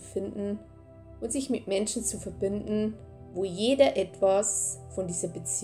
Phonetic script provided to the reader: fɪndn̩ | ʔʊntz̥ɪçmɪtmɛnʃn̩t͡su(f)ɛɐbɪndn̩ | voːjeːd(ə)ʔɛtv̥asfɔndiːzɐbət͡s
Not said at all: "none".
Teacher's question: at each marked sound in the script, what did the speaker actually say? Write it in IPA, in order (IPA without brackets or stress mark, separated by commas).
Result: f, ɐ